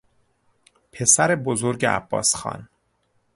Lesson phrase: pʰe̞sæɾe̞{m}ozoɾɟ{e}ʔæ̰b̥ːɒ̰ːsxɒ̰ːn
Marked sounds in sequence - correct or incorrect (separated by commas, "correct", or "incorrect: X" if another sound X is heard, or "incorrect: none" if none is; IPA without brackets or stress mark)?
incorrect: b, correct